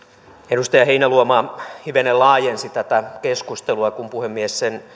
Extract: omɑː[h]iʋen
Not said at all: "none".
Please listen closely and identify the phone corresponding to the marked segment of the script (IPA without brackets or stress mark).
h